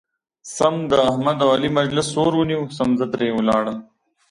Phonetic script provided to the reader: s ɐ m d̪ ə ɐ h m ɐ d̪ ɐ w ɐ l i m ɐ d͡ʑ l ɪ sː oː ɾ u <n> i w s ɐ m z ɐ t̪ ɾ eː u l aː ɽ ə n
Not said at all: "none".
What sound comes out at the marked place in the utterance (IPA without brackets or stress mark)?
n